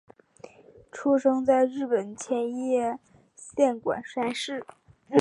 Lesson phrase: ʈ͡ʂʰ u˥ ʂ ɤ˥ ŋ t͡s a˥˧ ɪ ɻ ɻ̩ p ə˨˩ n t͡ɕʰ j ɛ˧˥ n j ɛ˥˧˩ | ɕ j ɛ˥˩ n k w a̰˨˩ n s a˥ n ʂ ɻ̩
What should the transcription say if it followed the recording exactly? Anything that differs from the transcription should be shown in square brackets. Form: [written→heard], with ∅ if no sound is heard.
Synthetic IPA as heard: ʈ͡ʂʰ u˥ ʂ ɤ˥ ŋ t͡s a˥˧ ɪ ɻ ɻ̩ p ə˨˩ n t͡ɕʰ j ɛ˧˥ n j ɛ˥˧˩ | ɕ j ɛ˥˩ n k w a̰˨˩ n [s→ʂ] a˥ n ʂ ɻ̩